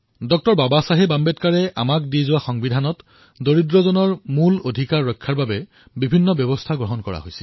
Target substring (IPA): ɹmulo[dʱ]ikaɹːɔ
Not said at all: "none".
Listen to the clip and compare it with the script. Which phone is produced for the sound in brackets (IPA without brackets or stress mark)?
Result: dʱ